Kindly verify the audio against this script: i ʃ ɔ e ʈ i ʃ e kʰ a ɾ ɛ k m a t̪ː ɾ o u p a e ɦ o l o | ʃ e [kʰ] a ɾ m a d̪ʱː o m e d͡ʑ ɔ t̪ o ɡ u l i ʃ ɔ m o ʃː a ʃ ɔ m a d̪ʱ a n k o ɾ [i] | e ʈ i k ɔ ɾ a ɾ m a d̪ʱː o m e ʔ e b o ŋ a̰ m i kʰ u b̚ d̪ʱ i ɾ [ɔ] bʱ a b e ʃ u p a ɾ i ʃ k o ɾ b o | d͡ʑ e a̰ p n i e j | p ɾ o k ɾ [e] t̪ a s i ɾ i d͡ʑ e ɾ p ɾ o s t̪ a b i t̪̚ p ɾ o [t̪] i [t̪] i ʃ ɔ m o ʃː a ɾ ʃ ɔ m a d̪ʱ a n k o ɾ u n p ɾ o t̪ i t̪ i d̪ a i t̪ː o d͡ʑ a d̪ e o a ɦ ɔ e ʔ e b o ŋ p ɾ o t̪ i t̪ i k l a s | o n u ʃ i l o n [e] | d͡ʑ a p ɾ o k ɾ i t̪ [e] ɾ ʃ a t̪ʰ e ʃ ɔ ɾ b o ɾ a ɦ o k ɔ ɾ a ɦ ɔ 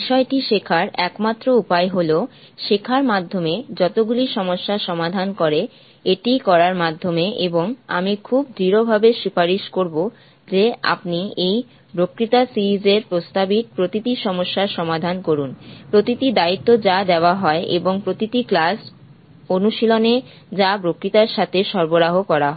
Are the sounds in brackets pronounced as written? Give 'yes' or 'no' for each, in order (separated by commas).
yes, no, no, no, yes, yes, yes, no